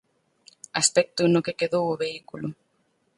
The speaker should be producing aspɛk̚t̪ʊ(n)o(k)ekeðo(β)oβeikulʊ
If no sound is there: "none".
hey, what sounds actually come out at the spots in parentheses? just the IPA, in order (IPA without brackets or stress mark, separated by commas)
n, k, w